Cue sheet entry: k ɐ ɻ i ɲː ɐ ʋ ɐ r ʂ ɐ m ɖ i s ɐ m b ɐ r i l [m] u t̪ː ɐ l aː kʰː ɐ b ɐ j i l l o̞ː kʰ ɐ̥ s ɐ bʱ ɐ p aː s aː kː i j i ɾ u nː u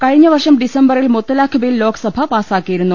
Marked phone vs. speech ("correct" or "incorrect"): correct